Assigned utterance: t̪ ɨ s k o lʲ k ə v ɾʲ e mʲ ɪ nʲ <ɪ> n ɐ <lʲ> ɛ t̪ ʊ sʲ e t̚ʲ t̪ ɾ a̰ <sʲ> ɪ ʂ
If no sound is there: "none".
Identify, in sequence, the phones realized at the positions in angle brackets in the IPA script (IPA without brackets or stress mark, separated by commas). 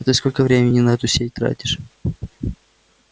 ɪ, none, tʲ